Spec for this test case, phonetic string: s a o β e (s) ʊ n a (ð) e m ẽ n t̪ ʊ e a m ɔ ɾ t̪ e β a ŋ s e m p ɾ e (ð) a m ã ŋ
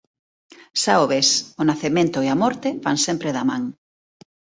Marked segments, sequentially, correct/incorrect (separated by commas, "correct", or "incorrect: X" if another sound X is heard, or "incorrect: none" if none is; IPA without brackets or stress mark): correct, incorrect: θ, correct